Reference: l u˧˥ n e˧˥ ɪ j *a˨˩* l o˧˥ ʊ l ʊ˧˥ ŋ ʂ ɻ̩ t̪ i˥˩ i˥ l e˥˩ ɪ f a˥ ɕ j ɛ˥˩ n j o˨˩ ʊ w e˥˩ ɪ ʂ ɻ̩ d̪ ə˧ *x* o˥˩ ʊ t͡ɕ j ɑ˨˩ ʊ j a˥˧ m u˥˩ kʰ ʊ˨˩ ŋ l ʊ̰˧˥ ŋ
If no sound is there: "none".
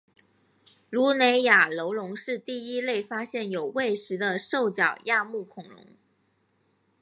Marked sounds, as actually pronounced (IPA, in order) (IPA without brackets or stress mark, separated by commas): a˨˩, ʂ